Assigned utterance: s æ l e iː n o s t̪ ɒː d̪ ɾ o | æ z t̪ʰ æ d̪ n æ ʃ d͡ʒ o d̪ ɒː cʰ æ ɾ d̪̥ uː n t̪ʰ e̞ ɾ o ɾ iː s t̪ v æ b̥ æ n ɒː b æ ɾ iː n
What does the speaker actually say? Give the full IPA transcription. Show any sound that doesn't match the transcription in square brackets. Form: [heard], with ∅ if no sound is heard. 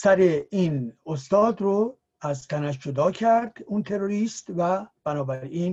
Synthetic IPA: s æ [ɾ] e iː n o s t̪ ɒː d̪ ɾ o | æ z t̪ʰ æ [∅] n æ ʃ d͡ʒ o d̪ ɒː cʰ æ ɾ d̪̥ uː n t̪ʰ e̞ ɾ o ɾ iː s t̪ v æ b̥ æ n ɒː b æ ɾ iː n